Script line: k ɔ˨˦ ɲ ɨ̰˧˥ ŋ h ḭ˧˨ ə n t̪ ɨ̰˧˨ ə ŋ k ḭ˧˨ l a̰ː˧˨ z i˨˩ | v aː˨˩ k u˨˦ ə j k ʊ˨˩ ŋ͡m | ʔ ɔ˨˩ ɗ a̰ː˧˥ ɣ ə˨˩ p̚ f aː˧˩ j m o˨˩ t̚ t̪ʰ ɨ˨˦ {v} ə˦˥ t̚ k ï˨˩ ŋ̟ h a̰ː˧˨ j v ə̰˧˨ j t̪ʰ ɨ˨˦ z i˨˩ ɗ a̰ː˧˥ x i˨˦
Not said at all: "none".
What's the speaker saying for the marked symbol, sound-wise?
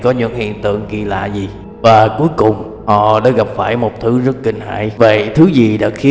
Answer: z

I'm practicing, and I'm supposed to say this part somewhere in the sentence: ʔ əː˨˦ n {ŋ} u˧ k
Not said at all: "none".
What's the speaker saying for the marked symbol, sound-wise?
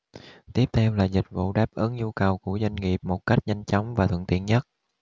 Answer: ɲ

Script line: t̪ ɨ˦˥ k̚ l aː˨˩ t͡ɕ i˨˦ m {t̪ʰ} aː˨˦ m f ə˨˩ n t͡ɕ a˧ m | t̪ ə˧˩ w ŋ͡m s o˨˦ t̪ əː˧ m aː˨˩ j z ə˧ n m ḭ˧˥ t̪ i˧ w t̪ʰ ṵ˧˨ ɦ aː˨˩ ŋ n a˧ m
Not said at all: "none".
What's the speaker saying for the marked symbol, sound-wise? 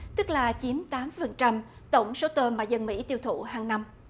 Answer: t̪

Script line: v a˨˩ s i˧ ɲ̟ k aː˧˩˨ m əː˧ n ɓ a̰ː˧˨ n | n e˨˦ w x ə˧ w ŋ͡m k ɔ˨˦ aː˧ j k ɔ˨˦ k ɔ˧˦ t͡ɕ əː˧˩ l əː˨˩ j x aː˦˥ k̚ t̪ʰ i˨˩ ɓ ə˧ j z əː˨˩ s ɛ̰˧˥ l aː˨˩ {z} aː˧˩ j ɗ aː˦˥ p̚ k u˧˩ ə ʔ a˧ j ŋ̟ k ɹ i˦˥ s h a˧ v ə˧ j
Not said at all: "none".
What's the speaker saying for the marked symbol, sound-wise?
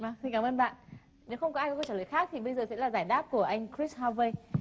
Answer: z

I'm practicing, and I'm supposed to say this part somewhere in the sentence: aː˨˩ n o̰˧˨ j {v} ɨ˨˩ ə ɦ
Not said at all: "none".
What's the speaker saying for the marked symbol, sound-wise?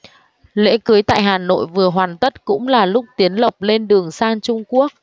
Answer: v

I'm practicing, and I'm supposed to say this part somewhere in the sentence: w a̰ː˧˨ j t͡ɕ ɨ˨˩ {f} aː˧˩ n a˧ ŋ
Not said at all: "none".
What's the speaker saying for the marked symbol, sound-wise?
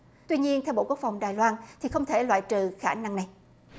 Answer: x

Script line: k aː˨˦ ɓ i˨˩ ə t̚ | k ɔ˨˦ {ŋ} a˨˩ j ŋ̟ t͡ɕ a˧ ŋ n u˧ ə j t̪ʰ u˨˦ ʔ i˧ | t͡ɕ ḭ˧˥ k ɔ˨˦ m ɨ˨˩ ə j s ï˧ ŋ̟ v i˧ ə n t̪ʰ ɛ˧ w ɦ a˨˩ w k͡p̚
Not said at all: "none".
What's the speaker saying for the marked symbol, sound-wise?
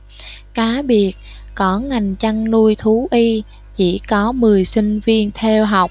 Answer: ŋ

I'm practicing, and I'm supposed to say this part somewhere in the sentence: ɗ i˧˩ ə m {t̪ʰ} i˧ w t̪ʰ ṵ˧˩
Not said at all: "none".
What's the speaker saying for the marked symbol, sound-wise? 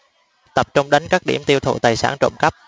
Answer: t̪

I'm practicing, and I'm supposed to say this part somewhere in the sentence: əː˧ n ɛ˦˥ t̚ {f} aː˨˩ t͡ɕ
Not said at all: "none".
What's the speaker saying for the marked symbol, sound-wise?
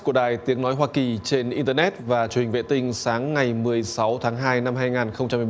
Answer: v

